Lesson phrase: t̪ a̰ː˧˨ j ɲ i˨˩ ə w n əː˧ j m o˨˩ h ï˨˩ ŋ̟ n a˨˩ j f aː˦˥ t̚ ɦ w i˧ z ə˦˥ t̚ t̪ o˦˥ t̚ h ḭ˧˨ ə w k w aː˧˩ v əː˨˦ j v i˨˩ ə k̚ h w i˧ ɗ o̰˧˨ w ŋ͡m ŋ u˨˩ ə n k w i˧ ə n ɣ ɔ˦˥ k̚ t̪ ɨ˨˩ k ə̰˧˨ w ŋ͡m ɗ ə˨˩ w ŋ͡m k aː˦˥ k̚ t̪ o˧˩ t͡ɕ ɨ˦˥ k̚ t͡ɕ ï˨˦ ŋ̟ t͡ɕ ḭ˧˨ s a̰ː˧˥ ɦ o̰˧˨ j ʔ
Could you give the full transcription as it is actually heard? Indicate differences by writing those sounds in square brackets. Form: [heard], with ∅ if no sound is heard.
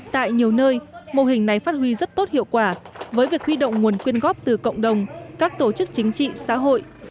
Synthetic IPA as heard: t̪ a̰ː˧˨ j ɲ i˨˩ ə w n əː˧ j m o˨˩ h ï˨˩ ŋ̟ n a˨˩ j f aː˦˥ t̚ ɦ w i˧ z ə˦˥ t̚ t̪ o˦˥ t̚ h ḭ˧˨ ə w k w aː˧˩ v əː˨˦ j v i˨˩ ə k̚ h w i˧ ɗ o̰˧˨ w ŋ͡m ŋ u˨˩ ə n k w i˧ ə n ɣ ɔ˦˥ [p̚] t̪ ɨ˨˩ k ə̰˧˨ w ŋ͡m ɗ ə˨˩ w ŋ͡m k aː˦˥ k̚ t̪ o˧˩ t͡ɕ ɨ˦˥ k̚ t͡ɕ ï˨˦ ŋ̟ t͡ɕ ḭ˧˨ s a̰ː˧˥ ɦ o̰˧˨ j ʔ